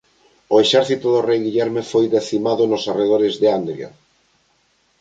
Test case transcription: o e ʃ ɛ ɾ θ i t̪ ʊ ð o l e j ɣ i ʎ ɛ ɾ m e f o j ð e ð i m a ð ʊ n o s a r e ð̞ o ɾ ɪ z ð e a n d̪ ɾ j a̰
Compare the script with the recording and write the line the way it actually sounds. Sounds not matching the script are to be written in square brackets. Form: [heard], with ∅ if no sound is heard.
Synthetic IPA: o e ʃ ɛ ɾ θ i t̪ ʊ ð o [r] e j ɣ i ʎ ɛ ɾ m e f o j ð e [θ] i m a ð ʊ n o s a r e ð̞ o ɾ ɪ z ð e a n d̪ ɾ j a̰